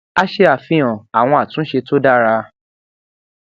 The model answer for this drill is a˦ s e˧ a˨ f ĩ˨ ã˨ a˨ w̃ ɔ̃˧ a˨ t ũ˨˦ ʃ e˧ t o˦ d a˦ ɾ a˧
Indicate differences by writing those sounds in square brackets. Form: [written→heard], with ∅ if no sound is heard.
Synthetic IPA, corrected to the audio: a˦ [s→ʃ] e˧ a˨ f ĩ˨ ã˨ a˨ w̃ ɔ̃˧ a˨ t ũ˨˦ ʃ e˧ t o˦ d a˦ ɾ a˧